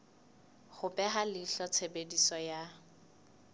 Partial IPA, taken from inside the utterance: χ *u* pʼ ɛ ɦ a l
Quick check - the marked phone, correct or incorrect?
incorrect